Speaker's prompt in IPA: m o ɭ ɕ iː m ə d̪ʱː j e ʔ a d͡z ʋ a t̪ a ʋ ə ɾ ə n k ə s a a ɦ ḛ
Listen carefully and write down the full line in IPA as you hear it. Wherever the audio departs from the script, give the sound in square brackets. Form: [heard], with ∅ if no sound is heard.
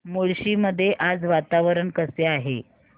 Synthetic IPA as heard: m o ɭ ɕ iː m ə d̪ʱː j e ʔ a d͡z ʋ a t̪ a ʋ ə ɾ ə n k ə s [e] a ɦ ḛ